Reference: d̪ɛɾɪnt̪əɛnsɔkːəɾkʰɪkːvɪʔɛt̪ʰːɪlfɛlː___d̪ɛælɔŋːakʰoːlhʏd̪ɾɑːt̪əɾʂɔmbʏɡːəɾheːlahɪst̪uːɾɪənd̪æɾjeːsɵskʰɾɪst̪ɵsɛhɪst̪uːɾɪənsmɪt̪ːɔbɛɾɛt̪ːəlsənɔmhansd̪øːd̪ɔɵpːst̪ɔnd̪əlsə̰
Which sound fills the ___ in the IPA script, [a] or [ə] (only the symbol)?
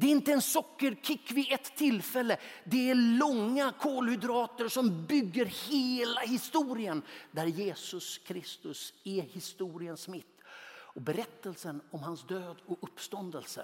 ə